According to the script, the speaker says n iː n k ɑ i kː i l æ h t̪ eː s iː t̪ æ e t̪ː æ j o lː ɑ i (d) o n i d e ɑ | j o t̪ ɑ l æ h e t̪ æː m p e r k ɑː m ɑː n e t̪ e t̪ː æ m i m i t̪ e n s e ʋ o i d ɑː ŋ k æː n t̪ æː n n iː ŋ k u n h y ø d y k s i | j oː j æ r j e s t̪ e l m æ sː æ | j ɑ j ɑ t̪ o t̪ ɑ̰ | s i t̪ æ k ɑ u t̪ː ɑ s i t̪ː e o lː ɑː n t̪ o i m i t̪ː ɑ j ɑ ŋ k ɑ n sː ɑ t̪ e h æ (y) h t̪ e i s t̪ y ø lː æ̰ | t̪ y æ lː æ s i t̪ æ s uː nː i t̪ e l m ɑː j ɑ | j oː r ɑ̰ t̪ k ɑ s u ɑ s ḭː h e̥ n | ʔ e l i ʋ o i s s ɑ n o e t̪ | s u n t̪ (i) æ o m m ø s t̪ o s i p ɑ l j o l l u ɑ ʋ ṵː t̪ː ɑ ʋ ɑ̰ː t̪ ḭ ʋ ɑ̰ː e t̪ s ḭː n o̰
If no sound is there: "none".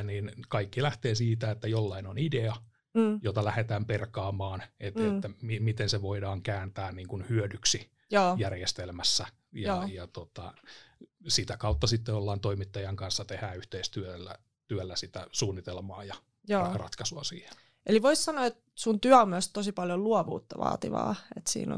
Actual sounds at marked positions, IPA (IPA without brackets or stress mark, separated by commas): n, y, y